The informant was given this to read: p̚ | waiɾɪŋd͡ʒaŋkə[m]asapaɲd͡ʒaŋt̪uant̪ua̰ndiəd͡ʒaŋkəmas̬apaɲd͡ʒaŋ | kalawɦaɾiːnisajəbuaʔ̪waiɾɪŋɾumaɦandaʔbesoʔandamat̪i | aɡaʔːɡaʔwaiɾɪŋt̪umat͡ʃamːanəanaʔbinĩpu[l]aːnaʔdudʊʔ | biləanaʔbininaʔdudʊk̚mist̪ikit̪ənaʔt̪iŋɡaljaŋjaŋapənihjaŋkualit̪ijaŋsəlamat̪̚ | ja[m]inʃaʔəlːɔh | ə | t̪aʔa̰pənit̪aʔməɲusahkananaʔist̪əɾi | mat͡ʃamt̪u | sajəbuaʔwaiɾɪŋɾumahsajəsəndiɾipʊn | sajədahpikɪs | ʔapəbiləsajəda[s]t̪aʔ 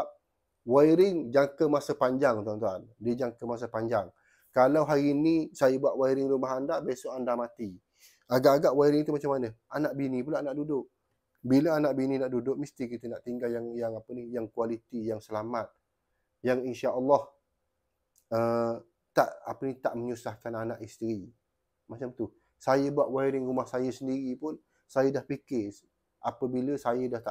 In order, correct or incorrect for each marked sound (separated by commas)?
correct, correct, incorrect, incorrect